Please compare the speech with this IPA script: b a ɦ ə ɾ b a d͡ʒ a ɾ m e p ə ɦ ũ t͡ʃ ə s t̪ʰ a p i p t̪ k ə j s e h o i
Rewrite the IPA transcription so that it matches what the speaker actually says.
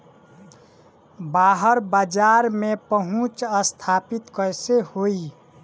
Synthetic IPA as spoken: b a ɦ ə ɾ b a d͡ʒ a ɾ m e p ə ɦ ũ t͡ʃ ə s t̪ʰ a p i t̪ k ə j s e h o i